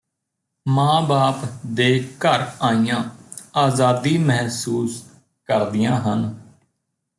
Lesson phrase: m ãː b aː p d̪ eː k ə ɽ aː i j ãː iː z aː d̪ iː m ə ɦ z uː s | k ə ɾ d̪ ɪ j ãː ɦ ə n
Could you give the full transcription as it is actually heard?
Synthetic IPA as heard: m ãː b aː p d̪ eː k ə ɾ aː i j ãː aː z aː d̪ iː m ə ɦ s uː s | k ə ɾ d̪ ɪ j ãː ɦ ə n